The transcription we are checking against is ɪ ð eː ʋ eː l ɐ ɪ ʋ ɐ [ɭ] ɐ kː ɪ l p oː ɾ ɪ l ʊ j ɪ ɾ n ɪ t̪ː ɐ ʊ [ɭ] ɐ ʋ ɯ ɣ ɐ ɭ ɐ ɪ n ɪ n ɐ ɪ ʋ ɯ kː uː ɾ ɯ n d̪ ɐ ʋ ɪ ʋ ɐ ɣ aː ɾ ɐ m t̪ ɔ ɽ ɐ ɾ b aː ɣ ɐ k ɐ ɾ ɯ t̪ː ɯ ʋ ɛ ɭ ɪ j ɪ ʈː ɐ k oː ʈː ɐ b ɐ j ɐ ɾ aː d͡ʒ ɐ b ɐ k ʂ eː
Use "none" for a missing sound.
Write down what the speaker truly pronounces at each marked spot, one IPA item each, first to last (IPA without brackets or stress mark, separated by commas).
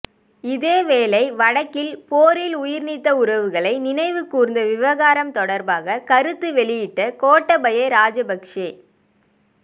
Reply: ɽ, ɾ